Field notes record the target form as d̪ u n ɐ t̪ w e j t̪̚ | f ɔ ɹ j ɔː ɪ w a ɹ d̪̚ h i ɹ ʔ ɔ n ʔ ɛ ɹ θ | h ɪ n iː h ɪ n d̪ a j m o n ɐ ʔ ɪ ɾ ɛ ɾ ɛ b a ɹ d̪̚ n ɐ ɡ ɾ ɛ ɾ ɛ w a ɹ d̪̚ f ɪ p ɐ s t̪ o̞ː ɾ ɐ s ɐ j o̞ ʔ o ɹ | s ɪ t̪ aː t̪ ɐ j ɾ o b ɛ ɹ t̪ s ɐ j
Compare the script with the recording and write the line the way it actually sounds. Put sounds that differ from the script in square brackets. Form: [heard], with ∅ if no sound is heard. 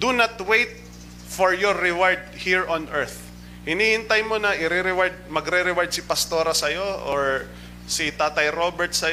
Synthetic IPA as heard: d̪ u n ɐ t̪ w e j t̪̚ | f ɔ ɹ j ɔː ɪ w a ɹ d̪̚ h i ɹ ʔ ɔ n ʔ ɛ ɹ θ | h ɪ n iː h ɪ n [t̪] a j m o n ɐ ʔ ɪ ɾ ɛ ɾ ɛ [w] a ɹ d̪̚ [m] ɐ ɡ ɾ ɛ ɾ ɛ w a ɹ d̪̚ [s] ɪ p ɐ s t̪ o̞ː ɾ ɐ s ɐ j o̞ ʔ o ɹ | s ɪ t̪ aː t̪ ɐ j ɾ o b ɛ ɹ t̪ s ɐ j